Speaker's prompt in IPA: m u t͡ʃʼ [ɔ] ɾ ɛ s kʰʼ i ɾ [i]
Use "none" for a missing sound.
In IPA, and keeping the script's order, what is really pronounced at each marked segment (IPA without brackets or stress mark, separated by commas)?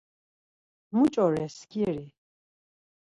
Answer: ɔ, i